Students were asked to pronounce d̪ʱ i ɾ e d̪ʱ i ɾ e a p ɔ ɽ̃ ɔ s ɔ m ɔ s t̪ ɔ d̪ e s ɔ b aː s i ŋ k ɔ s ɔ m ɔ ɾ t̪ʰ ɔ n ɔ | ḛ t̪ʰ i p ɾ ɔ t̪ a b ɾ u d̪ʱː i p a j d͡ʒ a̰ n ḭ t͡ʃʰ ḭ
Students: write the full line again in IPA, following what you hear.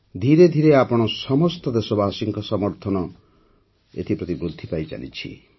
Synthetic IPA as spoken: d̪ʱ i ɾ e d̪ʱ i ɾ e a p ɔ ɽ̃ ɔ s ɔ m ɔ s t̪ ɔ d̪ e s ɔ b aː s i ŋ k ɔ s ɔ m ɔ ɾ t̪ʰ ɔ n ɔ | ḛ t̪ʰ i p ɾ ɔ t̪ i b ɾ u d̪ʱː i p a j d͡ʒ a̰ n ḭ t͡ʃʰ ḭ